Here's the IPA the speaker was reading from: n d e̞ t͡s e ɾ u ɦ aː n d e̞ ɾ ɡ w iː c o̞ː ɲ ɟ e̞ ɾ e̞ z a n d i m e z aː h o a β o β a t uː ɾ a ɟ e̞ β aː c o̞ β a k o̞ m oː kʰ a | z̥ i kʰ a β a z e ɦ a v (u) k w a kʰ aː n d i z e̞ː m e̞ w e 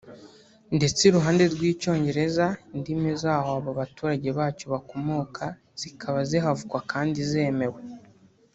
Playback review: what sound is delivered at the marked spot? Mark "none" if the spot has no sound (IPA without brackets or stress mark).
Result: u